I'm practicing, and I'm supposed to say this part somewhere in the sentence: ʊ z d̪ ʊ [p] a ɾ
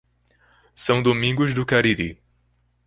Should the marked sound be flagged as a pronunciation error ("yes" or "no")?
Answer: yes